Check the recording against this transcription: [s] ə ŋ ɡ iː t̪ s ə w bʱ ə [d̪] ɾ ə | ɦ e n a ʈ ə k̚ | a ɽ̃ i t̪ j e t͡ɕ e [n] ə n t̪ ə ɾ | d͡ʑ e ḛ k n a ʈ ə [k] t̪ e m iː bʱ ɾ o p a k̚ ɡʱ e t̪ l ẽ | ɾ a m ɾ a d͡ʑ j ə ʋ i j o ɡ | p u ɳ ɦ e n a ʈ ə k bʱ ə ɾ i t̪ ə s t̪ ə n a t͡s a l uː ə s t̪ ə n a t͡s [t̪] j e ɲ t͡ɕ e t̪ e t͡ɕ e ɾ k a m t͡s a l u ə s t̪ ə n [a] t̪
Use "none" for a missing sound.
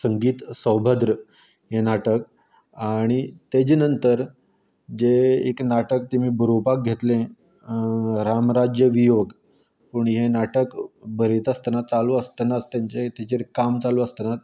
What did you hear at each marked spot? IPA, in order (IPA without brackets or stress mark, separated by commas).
s, d̪, n, k, t̪, a